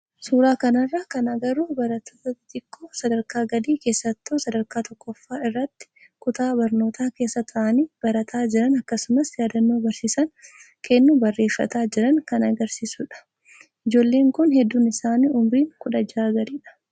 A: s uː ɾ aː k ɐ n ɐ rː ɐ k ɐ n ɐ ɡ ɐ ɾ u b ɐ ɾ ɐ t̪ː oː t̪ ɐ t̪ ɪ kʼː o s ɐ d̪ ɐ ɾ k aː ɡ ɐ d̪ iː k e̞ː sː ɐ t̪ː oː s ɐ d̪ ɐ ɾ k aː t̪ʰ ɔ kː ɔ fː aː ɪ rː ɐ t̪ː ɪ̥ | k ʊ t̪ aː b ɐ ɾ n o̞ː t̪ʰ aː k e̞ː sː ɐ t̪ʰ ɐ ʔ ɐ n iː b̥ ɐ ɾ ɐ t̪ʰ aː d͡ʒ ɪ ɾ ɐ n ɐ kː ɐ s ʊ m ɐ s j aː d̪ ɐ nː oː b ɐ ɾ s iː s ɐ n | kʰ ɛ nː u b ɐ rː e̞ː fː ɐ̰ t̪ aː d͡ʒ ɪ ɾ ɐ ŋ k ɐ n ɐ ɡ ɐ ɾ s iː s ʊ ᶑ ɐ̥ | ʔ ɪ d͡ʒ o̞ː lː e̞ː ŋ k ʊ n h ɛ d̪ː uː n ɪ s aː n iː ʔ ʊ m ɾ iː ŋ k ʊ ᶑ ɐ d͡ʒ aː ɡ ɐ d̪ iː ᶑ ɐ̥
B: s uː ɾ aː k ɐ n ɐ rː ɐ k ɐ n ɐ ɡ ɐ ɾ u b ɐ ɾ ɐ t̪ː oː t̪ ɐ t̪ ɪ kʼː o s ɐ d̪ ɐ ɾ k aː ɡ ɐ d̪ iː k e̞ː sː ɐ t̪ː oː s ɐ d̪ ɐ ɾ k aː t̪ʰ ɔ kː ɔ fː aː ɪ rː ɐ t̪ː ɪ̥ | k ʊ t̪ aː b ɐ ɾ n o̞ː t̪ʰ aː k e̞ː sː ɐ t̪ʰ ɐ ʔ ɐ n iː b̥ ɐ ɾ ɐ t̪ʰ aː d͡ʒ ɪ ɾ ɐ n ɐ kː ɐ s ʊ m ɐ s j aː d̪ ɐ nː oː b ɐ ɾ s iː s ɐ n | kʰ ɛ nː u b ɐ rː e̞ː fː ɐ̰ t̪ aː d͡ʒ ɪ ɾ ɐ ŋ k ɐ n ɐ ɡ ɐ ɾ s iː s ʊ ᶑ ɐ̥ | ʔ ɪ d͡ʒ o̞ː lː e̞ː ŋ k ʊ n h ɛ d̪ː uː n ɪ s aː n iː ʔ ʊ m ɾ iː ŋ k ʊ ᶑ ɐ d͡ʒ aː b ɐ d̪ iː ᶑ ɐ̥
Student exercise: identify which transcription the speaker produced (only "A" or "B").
A